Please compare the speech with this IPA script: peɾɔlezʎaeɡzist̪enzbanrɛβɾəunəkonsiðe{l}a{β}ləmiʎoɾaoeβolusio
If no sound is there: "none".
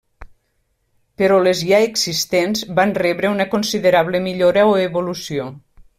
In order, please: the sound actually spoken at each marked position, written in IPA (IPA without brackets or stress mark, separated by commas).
ɾ, β